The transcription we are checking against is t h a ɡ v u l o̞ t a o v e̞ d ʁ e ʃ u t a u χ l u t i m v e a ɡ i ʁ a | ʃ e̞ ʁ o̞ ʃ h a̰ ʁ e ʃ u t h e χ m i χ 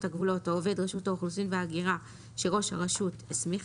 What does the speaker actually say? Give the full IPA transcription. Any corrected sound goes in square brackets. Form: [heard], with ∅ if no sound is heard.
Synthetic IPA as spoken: t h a ɡ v u l o̞ t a o v e̞ d ʁ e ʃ u t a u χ l u [s] i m v e a ɡ i ʁ a | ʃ e̞ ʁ o̞ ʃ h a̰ ʁ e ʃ u t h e [s] m i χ